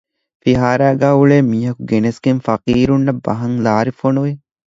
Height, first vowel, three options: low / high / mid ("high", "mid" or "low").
high